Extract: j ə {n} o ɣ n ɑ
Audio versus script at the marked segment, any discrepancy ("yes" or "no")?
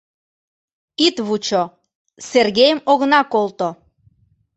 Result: yes